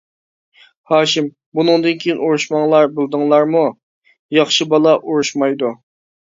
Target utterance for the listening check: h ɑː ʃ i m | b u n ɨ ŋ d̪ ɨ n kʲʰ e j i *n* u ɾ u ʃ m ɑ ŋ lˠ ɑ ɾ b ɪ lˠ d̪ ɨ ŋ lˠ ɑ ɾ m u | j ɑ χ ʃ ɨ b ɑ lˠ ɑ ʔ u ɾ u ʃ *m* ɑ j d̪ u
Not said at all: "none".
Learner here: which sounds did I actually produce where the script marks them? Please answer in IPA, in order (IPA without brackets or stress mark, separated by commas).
n, m